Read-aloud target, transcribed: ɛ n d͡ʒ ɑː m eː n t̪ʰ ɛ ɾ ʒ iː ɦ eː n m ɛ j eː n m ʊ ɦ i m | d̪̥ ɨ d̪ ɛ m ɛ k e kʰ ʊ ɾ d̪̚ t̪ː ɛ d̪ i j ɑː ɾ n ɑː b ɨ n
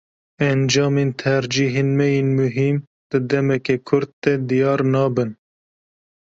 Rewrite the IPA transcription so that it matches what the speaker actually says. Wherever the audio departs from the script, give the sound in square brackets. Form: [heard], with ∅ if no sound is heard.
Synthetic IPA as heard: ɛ n d͡ʒ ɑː m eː n t̪ʰ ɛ ɾ [d͡ʒ] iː ɦ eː n m ɛ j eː n m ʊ ɦ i m | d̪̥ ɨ d̪ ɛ m ɛ k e kʰ ʊ ɾ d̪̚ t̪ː ɛ d̪ i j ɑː ɾ n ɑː b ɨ n